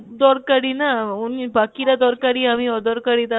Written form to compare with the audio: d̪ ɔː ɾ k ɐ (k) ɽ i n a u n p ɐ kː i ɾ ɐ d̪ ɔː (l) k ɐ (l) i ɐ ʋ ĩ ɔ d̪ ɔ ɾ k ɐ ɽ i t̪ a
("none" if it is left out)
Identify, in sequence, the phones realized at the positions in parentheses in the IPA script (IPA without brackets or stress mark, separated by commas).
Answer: none, ɾ, ɽ